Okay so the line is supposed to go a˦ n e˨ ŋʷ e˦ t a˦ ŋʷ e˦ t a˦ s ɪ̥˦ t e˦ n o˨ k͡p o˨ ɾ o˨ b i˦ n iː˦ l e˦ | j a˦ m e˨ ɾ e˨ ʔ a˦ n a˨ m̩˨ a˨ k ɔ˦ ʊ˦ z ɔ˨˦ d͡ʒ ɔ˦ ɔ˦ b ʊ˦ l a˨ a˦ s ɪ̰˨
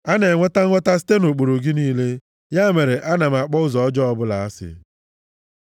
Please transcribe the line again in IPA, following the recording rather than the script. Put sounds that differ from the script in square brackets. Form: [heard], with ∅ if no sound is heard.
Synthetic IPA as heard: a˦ n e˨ ŋʷ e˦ t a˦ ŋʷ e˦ t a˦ s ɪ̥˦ t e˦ n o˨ k͡p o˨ ɾ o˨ [ɡ] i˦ n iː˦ l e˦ | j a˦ m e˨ ɾ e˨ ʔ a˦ n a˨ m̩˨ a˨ [k͡p] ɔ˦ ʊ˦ z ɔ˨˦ d͡ʒ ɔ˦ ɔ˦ b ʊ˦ l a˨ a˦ s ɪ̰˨